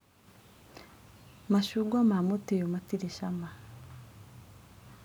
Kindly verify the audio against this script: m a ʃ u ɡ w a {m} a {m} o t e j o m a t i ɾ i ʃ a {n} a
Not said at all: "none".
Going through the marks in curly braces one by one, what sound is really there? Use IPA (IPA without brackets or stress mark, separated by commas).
m, m, m